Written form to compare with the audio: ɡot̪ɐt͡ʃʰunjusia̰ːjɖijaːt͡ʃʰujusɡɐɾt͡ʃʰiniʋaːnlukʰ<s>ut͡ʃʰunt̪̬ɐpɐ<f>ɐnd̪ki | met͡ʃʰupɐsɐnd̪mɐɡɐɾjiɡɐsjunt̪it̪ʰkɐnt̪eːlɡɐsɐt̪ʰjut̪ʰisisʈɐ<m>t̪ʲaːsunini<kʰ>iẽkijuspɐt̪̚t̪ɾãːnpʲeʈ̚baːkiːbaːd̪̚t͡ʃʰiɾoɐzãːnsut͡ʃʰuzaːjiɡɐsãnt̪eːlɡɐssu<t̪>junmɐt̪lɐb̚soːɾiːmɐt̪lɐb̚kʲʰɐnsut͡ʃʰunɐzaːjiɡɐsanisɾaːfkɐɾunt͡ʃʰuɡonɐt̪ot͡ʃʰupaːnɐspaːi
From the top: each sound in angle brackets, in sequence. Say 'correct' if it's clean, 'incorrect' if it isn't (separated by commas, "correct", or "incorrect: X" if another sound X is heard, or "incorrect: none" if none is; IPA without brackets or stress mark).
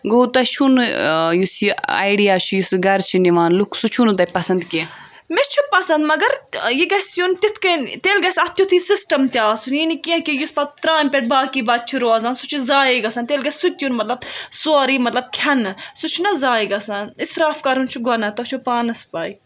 correct, incorrect: s, correct, incorrect: k, correct